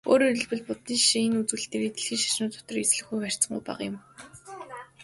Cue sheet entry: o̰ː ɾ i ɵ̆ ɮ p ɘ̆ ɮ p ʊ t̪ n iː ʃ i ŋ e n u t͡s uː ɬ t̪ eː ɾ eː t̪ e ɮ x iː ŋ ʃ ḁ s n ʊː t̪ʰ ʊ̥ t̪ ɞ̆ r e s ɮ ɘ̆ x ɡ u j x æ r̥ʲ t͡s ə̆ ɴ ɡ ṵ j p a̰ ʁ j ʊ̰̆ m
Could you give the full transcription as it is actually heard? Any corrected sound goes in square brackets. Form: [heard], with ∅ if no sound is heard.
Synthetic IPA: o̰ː ɾ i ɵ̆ ɮ p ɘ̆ ɮ p ʊ t̪ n iː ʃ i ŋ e n u t͡s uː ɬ t̪ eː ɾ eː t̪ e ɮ x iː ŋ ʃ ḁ [ʃ] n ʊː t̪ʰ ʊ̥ t̪ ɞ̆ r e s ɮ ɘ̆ x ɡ u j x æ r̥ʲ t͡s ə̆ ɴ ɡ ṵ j p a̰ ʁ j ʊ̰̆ m

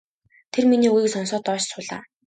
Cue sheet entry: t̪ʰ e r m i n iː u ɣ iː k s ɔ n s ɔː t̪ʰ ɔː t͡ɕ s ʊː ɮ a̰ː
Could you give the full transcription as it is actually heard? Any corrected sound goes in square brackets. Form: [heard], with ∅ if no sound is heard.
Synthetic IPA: t̪ʰ e r m i n iː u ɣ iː k s ɔ n s ɔː [t̪] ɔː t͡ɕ s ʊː ɮ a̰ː

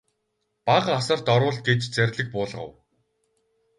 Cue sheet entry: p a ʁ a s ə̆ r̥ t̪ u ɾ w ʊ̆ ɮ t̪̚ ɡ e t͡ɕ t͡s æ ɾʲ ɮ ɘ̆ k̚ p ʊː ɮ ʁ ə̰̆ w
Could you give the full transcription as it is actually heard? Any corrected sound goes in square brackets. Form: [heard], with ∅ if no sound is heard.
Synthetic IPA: p a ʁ a s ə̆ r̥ t̪ [ɔ] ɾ w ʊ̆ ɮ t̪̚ ɡ e t͡ɕ t͡s æ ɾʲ ɮ ɘ̆ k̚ p ʊː ɮ ʁ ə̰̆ w

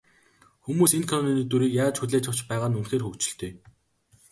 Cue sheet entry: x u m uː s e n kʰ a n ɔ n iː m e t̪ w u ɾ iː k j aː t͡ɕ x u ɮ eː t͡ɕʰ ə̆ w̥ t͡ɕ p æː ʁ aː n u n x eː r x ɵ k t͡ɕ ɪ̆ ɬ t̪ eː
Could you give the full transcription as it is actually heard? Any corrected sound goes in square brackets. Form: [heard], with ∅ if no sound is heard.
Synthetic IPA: x u m uː s e n kʰ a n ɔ n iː [n] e t̪ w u ɾ iː k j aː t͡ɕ x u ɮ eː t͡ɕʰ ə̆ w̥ t͡ɕ p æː ʁ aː n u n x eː r x ɵ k t͡ɕ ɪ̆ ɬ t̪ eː

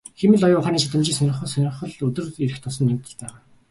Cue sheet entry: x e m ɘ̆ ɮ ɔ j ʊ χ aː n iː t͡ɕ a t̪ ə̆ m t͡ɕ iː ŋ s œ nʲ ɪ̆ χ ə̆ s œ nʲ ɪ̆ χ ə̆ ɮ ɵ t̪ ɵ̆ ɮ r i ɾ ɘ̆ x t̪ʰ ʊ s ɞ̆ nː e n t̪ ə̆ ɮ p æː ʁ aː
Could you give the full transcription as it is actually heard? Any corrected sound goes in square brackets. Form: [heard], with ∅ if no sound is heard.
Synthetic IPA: x e m ɘ̆ ɮ ɔ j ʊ χ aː n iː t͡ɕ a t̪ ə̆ m t͡ɕ iː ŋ s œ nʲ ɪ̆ χ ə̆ s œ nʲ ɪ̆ χ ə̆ ɮ ɵ t̪ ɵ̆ [∅] r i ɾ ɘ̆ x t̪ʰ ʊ s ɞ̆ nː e [m] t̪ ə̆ ɮ p æː ʁ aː

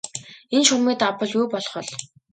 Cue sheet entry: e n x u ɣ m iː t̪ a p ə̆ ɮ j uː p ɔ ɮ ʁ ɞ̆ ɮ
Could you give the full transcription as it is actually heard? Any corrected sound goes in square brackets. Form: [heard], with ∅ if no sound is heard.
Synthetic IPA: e n [ʃ] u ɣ m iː t̪ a p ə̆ ɮ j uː p ɔ ɮ [χ] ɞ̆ ɮ

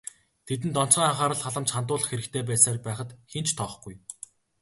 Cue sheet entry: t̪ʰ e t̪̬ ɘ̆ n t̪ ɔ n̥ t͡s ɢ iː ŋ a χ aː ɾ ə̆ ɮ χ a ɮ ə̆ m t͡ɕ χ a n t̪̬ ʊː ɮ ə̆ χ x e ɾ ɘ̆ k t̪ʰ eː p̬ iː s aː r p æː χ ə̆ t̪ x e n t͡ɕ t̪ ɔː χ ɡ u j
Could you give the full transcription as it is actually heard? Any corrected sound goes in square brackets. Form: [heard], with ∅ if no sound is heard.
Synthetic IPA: t̪ʰ e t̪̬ ɘ̆ n t̪ ɔ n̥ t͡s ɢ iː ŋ a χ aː ɾ ə̆ ɮ χ a ɮ ə̆ m t͡ɕ χ a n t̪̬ ʊː ɮ ə̆ χ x e ɾ ɘ̆ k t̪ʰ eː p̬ [æː] s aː r p æː χ ə̆ t̪ x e n t͡ɕ [t̪ʰ] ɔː χ ɡ u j

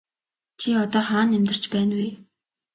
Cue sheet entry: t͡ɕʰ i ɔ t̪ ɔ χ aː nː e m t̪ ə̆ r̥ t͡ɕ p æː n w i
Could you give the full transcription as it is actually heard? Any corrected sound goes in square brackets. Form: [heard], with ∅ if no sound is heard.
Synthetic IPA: t͡ɕʰ i ɔ t̪ [ɔː] χ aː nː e m t̪ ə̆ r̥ t͡ɕ p æː n w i

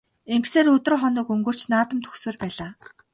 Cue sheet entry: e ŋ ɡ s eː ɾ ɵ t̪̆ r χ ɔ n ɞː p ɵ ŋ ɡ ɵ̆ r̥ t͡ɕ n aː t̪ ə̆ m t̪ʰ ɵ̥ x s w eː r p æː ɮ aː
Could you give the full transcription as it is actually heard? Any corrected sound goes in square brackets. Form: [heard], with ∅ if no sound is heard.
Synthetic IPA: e ŋ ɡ s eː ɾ ɵ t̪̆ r χ ɔ n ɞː [k] ɵ ŋ ɡ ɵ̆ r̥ t͡ɕ n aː t̪ ə̆ m t̪ʰ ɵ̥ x s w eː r p æː ɮ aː

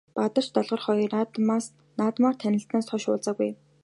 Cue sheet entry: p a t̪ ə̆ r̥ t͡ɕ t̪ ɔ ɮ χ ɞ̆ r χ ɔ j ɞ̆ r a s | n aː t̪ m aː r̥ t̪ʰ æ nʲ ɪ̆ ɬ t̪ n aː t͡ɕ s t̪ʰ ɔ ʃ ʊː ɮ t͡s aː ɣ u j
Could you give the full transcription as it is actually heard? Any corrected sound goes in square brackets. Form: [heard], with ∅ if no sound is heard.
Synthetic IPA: p a t̪ ə̆ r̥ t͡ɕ t̪ ɔ ɮ [ʁ] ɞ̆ r χ ɔ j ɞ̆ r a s | n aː t̪ m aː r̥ t̪ʰ æ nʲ ɪ̆ ɬ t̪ n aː [∅] s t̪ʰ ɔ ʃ ʊː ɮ t͡s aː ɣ u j

